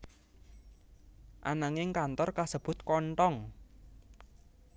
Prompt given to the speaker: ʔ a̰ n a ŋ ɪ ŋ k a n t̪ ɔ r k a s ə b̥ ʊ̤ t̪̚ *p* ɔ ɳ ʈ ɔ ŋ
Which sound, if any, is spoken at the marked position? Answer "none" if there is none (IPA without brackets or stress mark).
k